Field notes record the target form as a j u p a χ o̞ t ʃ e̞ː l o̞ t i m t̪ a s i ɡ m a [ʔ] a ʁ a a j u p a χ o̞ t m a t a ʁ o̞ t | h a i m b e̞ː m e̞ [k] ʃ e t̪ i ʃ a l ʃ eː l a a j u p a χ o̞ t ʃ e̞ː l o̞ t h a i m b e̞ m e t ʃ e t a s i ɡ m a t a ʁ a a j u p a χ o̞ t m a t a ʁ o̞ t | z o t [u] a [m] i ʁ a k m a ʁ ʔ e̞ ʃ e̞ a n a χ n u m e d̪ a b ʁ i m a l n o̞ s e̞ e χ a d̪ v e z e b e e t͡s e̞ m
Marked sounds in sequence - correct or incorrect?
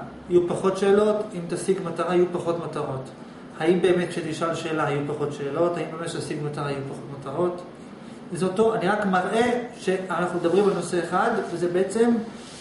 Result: incorrect: t, incorrect: t, incorrect: o, incorrect: n

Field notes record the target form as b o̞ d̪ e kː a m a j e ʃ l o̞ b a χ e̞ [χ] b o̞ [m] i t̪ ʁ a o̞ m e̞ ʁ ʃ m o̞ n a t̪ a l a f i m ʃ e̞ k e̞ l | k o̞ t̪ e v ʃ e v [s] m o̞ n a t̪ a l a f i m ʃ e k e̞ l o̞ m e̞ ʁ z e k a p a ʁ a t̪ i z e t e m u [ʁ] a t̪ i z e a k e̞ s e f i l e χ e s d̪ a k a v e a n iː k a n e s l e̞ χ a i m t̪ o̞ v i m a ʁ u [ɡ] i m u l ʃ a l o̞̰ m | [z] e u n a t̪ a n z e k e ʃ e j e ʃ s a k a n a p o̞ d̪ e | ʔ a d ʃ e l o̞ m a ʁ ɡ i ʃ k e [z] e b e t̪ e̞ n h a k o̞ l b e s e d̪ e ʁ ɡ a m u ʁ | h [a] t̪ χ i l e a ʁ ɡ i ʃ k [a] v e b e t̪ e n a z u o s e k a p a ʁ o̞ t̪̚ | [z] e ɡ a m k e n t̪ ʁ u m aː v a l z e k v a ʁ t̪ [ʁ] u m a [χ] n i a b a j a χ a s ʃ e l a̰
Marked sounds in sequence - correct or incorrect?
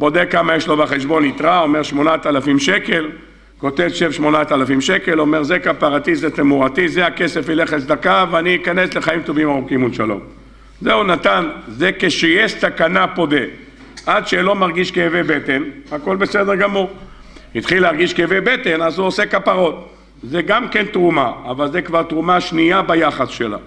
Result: incorrect: ʃ, incorrect: n, incorrect: ʃ, correct, incorrect: k, correct, incorrect: v, incorrect: i, incorrect: e, correct, correct, incorrect: ʃ

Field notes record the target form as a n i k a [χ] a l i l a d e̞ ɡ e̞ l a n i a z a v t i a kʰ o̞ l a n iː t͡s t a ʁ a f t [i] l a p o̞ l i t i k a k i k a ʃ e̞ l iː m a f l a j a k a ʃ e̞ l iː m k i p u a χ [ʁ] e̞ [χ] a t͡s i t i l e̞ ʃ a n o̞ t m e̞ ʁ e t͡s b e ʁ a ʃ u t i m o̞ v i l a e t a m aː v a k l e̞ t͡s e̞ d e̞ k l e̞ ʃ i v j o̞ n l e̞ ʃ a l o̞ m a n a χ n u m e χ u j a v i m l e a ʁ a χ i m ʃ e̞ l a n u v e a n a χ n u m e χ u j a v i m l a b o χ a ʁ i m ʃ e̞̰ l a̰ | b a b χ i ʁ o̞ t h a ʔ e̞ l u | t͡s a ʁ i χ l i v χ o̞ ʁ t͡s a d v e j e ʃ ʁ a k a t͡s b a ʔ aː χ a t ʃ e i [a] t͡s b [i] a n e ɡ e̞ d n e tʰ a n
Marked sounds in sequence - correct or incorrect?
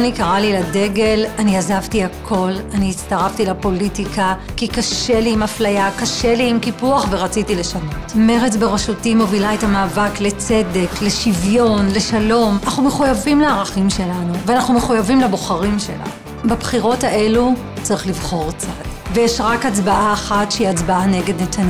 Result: incorrect: ʁ, correct, incorrect: v, incorrect: ʁ, correct, incorrect: a

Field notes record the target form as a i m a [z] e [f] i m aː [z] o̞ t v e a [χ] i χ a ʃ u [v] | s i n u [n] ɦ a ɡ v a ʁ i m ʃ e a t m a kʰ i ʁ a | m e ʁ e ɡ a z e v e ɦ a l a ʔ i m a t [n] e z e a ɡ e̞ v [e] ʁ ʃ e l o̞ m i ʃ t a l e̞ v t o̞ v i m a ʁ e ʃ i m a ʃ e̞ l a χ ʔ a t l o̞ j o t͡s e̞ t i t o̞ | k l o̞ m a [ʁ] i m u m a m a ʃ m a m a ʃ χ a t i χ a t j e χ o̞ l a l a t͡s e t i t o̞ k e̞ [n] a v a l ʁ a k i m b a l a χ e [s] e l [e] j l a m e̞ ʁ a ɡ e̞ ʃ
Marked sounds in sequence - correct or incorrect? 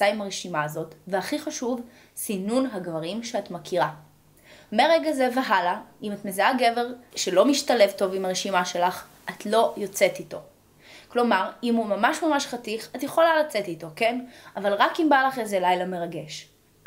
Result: incorrect: ʁ, incorrect: ʃ, correct, correct, correct, correct, incorrect: m, correct, correct, correct, incorrect: z, incorrect: a

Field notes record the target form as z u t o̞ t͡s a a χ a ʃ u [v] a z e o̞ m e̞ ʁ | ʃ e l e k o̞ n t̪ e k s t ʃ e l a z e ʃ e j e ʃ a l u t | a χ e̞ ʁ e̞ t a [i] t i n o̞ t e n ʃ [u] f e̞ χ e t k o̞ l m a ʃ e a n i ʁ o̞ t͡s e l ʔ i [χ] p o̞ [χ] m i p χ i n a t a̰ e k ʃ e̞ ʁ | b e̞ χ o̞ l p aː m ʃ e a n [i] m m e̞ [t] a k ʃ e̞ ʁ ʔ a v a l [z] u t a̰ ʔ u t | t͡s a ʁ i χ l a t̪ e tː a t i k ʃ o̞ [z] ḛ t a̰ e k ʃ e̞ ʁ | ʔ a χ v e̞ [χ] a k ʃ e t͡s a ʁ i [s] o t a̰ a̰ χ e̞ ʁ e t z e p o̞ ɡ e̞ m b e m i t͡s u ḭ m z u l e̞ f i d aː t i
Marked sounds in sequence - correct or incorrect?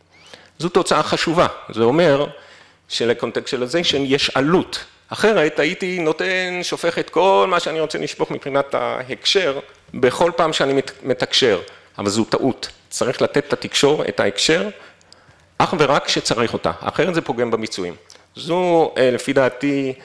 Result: correct, correct, incorrect: o, incorrect: ʃ, correct, correct, correct, correct, incorrect: ʁ, incorrect: ʁ, incorrect: χ

